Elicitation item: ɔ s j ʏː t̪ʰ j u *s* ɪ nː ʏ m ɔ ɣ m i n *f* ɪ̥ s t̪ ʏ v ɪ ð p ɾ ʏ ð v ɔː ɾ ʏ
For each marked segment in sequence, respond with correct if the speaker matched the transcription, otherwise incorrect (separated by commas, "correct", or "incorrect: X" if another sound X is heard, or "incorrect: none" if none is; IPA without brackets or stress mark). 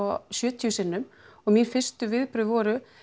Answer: correct, correct